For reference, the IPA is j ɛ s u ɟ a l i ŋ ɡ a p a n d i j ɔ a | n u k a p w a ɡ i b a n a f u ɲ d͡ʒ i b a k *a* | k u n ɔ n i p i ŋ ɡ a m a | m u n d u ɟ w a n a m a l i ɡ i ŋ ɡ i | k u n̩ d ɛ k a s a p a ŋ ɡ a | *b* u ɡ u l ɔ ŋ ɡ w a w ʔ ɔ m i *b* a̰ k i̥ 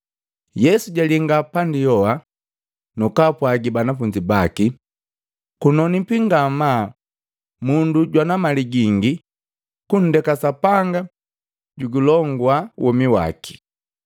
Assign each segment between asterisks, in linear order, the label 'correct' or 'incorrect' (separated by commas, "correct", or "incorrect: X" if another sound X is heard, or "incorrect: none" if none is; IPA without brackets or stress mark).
incorrect: i, incorrect: ɟ, incorrect: w